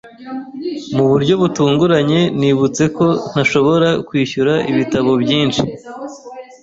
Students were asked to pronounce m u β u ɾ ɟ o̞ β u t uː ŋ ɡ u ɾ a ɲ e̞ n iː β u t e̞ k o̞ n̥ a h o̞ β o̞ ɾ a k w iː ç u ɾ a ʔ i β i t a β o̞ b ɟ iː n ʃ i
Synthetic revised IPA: m u β u ɾ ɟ o̞ β u t uː ŋ ɡ u ɾ a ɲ e̞ n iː β u t͡s e̞ k o̞ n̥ a ʃ o̞ β o̞ ɾ a k w iː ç u ɾ a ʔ i β i t a β o̞ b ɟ iː n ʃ i

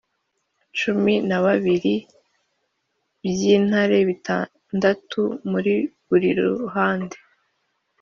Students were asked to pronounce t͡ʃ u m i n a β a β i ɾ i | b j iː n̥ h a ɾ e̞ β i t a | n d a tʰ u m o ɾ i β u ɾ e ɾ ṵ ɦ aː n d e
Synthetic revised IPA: t͡ʃ u m i n a β a β i ɾ i | b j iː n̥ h a ɾ e̞ β i t a | n d a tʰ u m u ɾ i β u ɾ i ɾ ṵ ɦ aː n d e

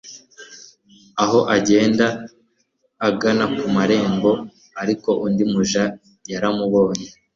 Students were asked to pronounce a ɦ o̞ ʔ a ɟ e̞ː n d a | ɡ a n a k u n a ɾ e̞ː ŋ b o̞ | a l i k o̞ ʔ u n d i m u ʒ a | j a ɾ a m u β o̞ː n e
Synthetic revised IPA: a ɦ o̞ ʔ a ɟ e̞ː n d a | ɡ a n a k u m a ɾ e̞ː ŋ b o̞ | a ɾ i k o̞ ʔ u n d i m u ʒ a | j a ɾ a m u β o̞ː ɲ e

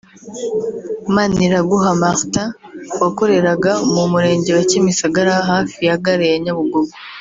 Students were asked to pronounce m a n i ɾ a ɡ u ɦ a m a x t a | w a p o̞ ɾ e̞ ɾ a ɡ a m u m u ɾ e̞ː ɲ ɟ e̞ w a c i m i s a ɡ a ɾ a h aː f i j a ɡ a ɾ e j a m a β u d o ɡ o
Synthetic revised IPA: m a n i ɾ a ɡ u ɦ a m a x t a | w a k o̞ ɾ e̞ ɾ a ɡ a m u m u ɾ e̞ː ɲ ɟ e̞ w a c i m i s a ɡ a ɾ a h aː f i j a ɡ a ɾ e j a ɲ a β u ɡ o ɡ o

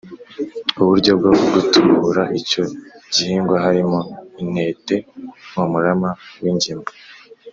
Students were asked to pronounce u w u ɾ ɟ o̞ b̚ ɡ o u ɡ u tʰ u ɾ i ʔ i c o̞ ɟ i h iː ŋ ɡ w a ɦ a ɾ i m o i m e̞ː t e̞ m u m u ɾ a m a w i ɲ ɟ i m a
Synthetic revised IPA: u β u ɾ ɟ o̞ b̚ ɡ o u ɡ u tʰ u ɾ a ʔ i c o̞ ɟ i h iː ŋ ɡ w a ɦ a ɾ i m o i n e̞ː t e̞ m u m u ɾ a m a w i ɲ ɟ i m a

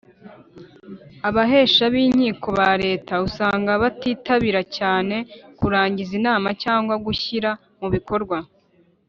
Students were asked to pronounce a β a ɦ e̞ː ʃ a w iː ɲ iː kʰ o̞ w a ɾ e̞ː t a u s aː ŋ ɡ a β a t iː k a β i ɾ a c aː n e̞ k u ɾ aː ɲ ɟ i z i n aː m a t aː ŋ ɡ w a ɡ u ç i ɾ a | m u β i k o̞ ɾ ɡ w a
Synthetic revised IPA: a β a ɦ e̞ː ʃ a β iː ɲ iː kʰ o̞ β a ɾ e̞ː t a u s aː ŋ ɡ a β a t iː t a β i ɾ a c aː n e̞ k u ɾ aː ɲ ɟ i z i n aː m a c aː ŋ ɡ w a ɡ u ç i ɾ a | m u β i k o̞ ɾ ɡ w a

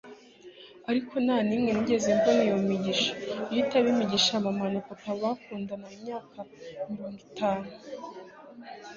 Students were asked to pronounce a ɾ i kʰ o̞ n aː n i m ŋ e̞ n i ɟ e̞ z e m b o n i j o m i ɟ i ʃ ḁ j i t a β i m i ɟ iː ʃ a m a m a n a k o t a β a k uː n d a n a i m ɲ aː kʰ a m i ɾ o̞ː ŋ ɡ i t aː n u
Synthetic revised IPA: a ɾ i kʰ o̞ n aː n i m ŋ e̞ n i ɟ e̞ z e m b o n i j o m i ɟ i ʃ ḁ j i t a β i m i ɟ i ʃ a m a m a n a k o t a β a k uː n d a n a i m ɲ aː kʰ a m i ɾ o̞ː ŋ ɡ i t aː n u

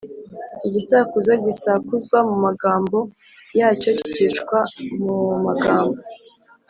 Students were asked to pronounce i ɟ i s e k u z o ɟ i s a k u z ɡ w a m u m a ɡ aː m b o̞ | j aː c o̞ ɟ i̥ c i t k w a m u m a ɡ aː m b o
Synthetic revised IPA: i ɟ i s a k u z o ɟ i s a k u z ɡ w a m u m a ɡ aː m b o̞ | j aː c o̞ c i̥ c i t͡ʃ k w a m u m a ɡ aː m b o

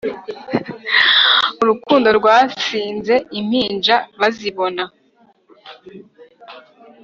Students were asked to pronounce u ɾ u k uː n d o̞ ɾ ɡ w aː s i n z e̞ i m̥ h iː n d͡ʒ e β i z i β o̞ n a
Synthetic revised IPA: u ɾ u k uː n d o̞ ɾ ɡ w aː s iː n z e̞ i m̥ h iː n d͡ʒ a β a z i β o̞ n a

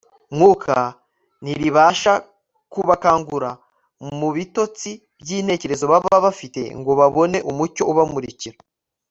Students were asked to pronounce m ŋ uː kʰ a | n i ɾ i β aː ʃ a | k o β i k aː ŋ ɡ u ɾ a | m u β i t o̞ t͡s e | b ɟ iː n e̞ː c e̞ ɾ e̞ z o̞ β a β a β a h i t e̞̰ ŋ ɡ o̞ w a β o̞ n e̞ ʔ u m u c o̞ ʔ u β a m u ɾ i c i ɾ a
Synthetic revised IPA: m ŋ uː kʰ a | n i ɾ i β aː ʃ a | k u β a k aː ŋ ɡ u ɾ a | m u β i t o̞ t͡s i | b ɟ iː n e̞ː c e̞ ɾ e̞ z o̞ β a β a β a f i t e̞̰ ŋ ɡ o̞ β a β o̞ n e̞ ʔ u m u c o̞ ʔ u β a m u ɾ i c i ɾ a

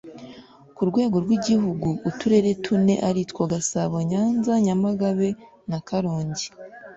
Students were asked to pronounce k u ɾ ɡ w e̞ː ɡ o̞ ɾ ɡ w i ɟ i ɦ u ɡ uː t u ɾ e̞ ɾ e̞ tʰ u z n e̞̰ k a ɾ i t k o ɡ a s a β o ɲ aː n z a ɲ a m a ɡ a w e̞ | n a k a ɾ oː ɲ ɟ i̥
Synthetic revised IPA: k u ɾ ɡ w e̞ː ɡ o̞ ɾ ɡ w i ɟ i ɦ u ɡ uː t u ɾ e̞ ɾ e̞ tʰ u n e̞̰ ʔ a ɾ i t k o ɡ a s a β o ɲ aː n z a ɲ a m a ɡ a β e̞ | n a k a ɾ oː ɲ ɟ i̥

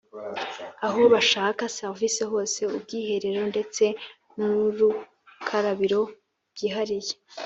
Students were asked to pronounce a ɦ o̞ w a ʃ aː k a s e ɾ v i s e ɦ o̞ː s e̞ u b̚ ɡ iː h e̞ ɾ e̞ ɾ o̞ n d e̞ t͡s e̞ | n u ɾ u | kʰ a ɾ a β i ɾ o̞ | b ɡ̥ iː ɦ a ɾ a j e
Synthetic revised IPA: a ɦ o̞ β a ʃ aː k a s e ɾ v i s e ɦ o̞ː s e̞ u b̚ ɡ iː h e̞ ɾ e̞ ɾ o̞ n d e̞ t͡s e̞ | n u ɾ u | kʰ a ɾ a β i ɾ o̞ | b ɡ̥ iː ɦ a ɾ i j e

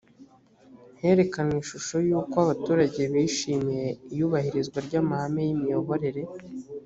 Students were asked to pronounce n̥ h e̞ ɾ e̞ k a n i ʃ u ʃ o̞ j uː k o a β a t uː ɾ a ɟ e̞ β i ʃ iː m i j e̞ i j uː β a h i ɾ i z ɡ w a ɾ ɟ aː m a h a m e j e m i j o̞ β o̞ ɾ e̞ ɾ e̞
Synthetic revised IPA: n̥ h e̞ ɾ e̞ k a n i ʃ u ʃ o̞ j uː k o a β a t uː ɾ a ɟ e̞ β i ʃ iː m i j e̞ i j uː β a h i ɾ i z ɡ w a ɾ ɟ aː m a h a m e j i m i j o̞ β o̞ ɾ e̞ ɾ e̞

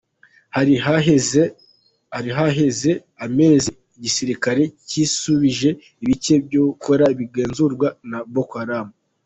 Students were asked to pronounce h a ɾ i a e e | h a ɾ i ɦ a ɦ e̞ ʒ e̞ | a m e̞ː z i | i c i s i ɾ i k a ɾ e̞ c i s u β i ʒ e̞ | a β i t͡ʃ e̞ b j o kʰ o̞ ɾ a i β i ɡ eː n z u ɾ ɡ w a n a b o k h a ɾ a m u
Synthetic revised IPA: h a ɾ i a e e | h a ɾ i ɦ a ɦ e̞ z e̞ | a m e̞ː z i | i ɟ i s i ɾ i k a ɾ e̞ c i s u β i ʒ e̞ | i β i t͡ʃ e̞ b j o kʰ o̞ ɾ a i β i ɡ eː n z u ɾ ɡ w a n a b o k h a ɾ a m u

